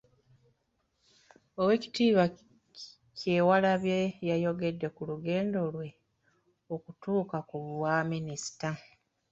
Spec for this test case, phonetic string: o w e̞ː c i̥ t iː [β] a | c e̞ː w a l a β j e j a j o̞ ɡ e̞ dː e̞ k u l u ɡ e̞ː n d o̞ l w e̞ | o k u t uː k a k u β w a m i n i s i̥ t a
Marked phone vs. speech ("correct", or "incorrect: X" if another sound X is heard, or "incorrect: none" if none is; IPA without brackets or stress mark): correct